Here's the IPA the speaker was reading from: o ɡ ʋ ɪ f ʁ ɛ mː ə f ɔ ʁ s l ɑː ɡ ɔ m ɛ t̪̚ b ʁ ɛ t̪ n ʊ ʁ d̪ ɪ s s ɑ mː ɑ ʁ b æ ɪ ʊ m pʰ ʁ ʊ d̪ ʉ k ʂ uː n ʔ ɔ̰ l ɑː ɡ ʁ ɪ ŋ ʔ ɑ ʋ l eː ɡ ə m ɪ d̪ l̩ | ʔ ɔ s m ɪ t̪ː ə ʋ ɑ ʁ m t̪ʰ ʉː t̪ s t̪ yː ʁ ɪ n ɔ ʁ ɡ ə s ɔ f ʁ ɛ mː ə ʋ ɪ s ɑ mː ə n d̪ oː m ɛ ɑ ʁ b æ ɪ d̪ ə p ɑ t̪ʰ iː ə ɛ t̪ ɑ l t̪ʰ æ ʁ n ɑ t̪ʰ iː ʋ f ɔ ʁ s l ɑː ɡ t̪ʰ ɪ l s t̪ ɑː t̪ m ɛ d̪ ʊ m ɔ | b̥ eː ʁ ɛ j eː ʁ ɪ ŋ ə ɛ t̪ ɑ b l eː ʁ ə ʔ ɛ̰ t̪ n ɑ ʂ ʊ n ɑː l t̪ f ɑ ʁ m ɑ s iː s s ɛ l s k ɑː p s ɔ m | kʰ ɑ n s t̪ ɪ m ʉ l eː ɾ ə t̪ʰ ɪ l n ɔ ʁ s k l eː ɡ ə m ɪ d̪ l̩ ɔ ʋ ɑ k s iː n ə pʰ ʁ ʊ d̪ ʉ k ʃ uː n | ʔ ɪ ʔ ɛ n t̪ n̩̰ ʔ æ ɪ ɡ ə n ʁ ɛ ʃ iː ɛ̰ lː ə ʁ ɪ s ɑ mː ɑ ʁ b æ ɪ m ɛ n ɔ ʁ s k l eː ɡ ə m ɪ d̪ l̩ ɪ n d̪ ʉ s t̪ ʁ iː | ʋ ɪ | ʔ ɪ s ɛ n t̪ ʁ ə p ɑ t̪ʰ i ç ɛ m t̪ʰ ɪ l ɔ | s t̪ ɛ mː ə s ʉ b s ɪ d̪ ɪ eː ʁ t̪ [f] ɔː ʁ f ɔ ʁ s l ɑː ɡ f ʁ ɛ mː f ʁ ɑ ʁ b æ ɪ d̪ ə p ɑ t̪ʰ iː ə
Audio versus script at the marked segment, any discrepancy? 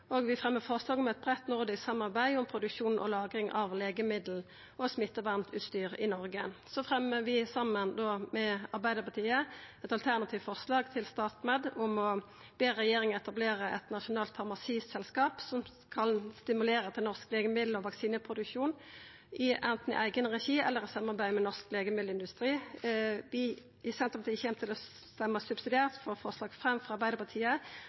no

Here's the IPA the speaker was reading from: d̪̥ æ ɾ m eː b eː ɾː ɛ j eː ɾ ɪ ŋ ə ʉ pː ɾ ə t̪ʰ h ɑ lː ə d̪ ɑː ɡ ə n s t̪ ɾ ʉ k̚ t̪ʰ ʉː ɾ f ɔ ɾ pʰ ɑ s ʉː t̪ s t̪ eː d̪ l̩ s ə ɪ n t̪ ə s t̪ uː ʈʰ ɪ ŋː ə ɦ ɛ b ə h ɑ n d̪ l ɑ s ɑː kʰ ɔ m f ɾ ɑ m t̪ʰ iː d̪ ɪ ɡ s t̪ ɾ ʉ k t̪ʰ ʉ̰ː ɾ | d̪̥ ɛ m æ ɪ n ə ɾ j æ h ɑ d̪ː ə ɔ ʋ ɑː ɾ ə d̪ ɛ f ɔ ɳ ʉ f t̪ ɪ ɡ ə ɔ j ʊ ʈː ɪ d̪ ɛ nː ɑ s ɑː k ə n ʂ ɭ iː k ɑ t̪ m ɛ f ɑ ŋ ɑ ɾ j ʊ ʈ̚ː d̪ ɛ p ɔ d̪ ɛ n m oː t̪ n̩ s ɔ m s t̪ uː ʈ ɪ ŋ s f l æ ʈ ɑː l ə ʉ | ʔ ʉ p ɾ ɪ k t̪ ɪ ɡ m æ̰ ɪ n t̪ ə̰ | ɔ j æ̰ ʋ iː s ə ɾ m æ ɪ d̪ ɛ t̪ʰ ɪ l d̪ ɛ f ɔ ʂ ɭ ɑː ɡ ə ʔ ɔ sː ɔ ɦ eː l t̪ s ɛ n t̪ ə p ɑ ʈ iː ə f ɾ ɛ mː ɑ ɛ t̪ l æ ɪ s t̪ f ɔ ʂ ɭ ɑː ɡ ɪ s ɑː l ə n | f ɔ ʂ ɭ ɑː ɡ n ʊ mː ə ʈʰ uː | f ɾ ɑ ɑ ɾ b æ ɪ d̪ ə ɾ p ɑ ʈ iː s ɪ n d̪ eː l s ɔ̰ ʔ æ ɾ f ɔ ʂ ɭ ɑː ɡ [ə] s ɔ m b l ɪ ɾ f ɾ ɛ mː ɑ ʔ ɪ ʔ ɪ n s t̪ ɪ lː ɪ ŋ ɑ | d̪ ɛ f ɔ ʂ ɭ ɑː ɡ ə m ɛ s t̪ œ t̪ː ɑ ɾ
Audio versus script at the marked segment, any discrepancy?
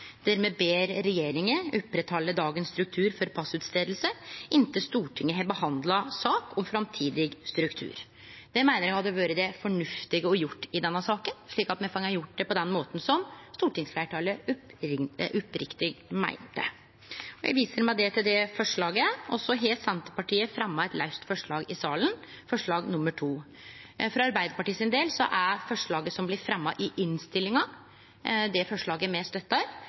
no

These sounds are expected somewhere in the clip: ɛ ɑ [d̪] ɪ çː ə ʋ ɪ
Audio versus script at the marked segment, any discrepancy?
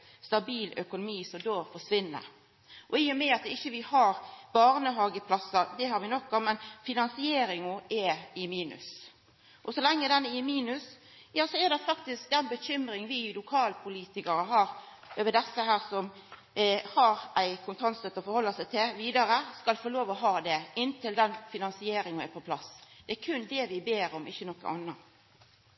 yes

